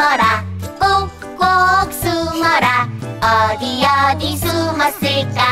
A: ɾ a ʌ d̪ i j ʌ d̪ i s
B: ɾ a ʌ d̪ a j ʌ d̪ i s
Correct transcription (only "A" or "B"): A